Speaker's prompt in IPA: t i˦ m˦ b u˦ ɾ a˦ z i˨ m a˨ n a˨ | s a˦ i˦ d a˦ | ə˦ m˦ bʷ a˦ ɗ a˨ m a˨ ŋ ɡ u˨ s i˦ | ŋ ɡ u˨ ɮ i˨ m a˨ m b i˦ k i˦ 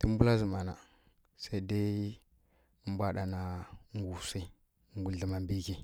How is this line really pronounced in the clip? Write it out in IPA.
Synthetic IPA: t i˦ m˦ b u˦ l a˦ z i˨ m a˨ n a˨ | s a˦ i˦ d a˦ | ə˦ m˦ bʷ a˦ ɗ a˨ n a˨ ŋ ɡ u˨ s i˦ | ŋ ɡ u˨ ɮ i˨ m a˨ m b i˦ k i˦